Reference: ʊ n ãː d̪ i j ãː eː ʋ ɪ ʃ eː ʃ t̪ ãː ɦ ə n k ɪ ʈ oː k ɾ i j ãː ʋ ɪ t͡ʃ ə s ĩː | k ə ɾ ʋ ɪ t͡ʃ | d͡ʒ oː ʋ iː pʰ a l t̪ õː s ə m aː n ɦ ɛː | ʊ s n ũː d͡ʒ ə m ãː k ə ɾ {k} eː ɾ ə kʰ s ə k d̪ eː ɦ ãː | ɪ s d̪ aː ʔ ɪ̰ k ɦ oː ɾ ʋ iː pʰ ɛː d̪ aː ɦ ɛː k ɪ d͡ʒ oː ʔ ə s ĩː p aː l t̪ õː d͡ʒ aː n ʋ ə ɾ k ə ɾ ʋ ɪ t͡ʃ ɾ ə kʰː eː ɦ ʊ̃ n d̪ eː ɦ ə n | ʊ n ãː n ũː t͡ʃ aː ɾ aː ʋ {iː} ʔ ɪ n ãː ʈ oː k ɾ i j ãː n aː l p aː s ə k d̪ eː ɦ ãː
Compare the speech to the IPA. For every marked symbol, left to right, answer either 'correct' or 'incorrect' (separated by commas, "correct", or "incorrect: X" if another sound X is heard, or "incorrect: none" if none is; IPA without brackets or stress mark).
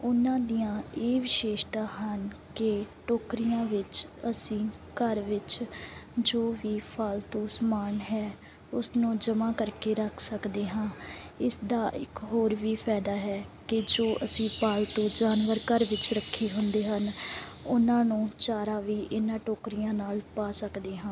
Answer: correct, correct